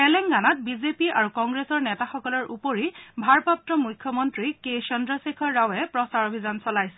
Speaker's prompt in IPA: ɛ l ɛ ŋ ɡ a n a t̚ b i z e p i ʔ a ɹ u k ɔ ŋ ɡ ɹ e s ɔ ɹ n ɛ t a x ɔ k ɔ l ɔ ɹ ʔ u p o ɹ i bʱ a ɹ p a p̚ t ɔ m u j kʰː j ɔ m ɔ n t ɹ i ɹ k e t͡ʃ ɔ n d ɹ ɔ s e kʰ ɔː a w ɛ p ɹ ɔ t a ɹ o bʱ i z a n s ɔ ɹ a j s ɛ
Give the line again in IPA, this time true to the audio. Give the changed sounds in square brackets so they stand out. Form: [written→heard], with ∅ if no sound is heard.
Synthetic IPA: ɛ l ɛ ŋ ɡ a n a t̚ b i z e p i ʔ a ɹ u k ɔ ŋ ɡ ɹ e s ɔ ɹ n ɛ t a x ɔ k ɔ l ɔ ɹ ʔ u p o ɹ i bʱ a ɹ p a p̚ t ɔ m u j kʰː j ɔ m ɔ n t ɹ i [ɹ→∅] k e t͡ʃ ɔ n d ɹ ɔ s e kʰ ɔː a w ɛ p ɹ ɔ [t→s] a ɹ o bʱ i z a n s ɔ [ɹ→l] a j s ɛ